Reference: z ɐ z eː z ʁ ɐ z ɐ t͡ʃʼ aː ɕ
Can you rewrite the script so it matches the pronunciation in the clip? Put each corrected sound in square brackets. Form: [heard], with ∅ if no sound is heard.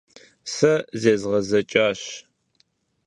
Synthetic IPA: [s] ɐ z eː z ʁ ɐ z ɐ t͡ʃʼ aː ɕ

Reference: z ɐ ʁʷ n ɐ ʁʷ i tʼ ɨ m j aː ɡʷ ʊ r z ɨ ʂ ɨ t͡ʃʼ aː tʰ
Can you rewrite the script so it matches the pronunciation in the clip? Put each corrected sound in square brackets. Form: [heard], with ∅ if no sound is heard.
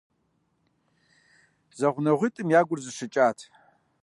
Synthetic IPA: z ɐ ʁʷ n ɐ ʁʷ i tʼ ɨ m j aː ɡʷ ʊ r z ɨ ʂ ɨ t͡ʃʼ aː tʰ

